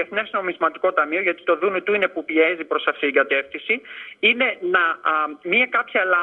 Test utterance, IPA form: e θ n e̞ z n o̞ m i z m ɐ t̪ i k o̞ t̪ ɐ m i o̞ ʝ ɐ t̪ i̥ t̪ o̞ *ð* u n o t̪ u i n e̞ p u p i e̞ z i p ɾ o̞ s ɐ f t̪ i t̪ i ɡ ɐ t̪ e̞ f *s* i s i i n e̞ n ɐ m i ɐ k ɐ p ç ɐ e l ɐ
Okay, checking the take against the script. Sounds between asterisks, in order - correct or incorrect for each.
correct, incorrect

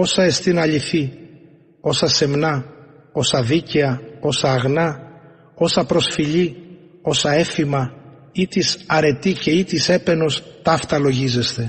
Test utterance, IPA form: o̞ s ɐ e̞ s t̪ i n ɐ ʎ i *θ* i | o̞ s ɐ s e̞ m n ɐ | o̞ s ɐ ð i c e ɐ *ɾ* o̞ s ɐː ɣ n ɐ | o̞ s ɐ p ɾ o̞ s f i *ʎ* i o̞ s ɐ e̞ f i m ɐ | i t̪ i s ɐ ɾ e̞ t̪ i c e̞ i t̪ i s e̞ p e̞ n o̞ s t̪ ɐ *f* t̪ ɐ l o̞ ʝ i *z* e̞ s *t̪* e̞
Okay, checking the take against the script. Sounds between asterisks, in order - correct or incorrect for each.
correct, incorrect, correct, correct, correct, correct

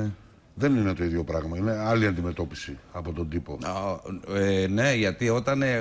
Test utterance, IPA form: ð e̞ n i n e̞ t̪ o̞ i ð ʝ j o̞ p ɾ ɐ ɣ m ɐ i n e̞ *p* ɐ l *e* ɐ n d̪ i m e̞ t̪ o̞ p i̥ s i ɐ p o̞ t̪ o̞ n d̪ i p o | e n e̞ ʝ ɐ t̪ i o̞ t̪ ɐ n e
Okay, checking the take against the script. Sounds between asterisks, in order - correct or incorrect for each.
incorrect, incorrect

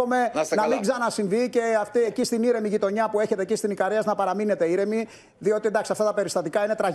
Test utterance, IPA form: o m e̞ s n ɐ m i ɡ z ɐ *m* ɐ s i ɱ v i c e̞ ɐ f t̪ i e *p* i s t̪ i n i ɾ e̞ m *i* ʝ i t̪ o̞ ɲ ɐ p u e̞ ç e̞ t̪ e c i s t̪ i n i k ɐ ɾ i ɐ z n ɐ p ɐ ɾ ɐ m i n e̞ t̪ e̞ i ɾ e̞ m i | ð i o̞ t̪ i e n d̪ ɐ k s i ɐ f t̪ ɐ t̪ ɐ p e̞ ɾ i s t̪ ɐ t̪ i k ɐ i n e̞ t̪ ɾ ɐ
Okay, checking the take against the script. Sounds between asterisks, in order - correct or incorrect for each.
incorrect, incorrect, correct

